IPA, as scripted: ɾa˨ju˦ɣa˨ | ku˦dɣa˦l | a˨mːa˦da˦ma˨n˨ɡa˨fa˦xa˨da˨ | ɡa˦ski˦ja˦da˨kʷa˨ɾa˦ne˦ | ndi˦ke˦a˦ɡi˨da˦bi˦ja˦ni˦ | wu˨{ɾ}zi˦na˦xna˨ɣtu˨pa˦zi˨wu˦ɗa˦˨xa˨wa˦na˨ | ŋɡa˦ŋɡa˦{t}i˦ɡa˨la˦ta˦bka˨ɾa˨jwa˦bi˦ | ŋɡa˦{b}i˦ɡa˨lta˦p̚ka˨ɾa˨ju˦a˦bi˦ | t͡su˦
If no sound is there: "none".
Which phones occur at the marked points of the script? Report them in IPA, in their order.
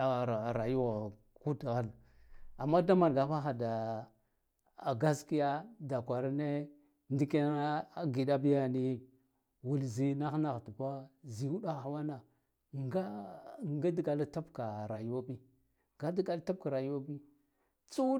l, d, d

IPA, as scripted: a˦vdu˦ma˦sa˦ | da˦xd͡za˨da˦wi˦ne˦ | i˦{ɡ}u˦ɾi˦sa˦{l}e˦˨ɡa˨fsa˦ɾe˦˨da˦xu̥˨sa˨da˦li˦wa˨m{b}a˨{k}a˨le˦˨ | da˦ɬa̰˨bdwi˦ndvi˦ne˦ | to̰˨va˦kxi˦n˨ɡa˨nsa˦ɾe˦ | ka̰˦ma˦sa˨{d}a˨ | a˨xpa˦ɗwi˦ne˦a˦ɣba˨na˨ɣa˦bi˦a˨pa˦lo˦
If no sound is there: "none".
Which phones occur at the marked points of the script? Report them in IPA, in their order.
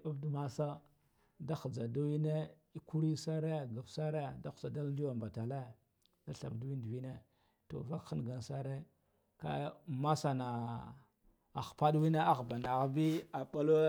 k, ɾ, b, t, n

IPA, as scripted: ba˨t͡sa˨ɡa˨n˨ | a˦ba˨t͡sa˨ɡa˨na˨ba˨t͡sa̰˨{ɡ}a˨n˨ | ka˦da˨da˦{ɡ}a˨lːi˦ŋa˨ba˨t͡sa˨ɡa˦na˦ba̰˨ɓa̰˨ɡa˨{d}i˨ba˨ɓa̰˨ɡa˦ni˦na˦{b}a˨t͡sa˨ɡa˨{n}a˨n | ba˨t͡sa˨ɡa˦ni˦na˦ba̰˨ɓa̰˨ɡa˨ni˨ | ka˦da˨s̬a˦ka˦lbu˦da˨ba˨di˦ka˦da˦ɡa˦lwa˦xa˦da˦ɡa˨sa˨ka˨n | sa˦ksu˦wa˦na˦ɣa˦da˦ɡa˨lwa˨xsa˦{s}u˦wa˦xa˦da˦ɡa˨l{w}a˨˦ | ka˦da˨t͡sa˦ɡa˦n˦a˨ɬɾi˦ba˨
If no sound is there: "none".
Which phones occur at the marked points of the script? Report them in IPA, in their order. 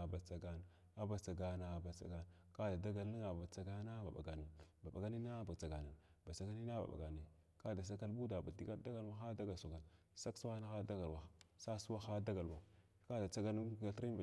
ɡ, ɡ, n, b, n, s, w

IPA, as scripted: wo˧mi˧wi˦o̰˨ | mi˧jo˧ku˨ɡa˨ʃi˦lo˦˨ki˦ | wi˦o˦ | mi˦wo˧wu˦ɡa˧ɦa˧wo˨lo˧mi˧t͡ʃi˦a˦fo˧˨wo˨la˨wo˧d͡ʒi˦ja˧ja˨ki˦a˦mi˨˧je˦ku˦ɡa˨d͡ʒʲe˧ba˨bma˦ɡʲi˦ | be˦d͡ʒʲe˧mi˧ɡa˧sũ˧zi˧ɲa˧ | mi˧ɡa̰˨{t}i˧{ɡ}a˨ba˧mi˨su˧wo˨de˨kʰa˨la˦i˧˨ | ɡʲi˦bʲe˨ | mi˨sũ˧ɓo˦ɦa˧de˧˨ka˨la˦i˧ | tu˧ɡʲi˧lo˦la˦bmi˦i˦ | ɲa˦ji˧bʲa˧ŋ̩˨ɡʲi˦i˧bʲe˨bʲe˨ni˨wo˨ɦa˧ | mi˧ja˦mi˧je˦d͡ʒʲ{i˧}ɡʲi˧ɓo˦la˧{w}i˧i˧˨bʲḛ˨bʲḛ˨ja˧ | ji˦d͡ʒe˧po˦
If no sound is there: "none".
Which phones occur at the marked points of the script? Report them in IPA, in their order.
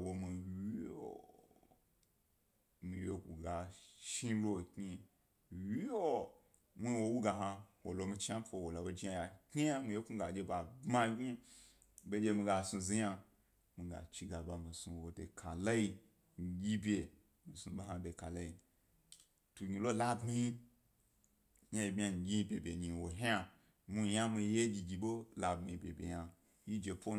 t͡ʃ, ɡ, i˧, b

